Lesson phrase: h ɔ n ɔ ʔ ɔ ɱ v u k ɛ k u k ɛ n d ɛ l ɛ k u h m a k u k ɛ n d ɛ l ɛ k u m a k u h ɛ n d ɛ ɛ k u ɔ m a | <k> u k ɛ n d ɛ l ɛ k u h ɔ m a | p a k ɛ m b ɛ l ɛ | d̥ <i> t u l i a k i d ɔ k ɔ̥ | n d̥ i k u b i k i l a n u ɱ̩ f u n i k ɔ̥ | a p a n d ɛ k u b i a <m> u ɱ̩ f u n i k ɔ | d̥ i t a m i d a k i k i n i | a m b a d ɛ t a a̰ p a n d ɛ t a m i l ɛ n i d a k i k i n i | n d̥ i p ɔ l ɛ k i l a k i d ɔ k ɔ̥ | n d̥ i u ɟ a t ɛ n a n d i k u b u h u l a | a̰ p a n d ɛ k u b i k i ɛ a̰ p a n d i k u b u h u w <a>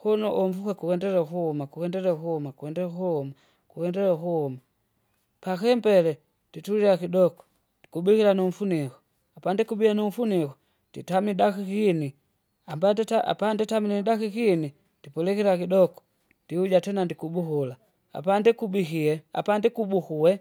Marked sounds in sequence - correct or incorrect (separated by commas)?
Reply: correct, correct, incorrect, incorrect